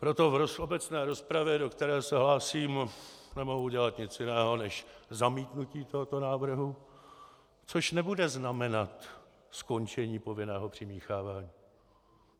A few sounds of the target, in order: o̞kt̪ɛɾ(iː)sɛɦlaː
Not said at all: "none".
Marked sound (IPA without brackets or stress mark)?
ɛː